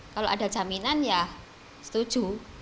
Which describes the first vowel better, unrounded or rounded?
unrounded